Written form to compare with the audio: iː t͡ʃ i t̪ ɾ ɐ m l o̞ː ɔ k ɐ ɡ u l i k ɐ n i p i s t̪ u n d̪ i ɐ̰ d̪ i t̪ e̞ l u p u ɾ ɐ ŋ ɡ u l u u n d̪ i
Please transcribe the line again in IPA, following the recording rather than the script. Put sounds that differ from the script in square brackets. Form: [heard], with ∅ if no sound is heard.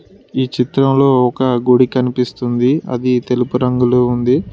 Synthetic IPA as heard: iː t͡ʃ i t̪ ɾ ɐ m l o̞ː ɔ k ɐ ɡ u [ɽ] i k ɐ n i p i s t̪ u n d̪ i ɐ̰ d̪ i t̪ e̞ l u p u ɾ ɐ ŋ ɡ u l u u n d̪ i